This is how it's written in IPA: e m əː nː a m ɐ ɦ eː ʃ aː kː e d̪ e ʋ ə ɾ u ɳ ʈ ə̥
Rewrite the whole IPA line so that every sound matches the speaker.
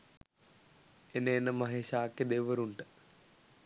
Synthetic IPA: e n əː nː ə m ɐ ɦ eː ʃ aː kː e d̪ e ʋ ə ɾ u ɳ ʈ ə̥